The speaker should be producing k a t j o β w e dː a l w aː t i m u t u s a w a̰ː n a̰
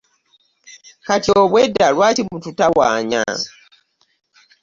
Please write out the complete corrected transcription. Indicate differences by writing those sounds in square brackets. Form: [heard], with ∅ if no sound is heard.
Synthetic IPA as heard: k a t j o β w e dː a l w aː t i m u t u [t] a w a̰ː [ɲ] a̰